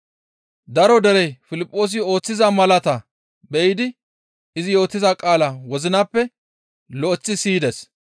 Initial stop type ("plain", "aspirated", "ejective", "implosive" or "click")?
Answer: plain